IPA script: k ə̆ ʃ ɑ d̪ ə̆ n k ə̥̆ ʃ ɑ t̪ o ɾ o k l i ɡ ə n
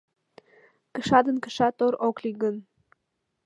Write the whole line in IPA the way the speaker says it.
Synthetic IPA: k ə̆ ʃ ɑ d̪ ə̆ n k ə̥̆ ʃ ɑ t̪ o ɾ o k l i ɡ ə n